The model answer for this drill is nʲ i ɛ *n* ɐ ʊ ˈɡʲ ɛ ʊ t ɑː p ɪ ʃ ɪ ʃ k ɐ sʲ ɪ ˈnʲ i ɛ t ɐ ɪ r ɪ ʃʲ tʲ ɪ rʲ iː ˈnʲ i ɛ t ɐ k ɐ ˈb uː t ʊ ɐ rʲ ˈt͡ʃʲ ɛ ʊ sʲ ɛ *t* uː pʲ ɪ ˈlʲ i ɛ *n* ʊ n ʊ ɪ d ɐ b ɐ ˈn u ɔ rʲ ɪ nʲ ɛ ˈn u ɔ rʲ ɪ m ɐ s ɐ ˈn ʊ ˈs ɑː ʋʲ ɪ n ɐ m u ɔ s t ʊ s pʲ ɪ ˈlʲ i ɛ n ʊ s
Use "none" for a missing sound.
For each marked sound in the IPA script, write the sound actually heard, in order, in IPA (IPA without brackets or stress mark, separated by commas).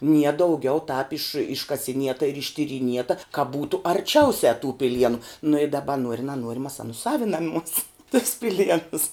d, t, n